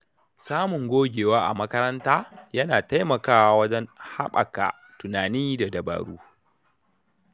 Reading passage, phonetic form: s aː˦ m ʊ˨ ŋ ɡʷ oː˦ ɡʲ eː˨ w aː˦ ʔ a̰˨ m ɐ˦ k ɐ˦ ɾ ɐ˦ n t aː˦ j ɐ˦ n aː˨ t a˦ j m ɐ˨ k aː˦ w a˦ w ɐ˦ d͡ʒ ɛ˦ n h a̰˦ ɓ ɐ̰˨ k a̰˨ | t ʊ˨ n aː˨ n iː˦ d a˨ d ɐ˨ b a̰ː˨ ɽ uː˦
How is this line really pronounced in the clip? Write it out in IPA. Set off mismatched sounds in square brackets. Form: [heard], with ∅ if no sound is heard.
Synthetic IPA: s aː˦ m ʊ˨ ŋ ɡʷ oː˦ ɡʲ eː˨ w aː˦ ʔ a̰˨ m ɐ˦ k ɐ˦ ɾ ɐ˦ n t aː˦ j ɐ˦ n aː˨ t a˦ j m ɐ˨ k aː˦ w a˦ w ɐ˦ d͡ʒ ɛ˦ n h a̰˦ ɓ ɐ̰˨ k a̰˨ | t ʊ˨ n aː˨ n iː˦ d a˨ d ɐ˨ b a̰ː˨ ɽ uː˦